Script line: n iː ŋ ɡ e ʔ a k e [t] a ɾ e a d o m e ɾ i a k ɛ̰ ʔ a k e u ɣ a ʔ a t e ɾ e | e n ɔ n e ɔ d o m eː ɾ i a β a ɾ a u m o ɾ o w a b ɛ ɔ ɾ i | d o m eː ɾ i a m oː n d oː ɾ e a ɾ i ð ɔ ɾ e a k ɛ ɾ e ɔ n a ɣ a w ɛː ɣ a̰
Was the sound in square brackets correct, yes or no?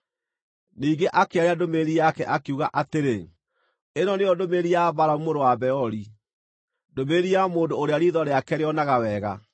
no